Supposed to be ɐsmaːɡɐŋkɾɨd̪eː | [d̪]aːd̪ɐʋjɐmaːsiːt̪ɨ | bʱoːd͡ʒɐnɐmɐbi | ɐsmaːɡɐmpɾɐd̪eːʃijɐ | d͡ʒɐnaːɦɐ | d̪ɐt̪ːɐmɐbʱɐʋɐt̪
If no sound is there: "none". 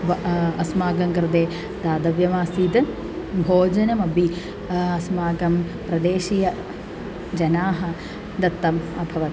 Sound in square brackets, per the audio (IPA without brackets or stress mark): d̪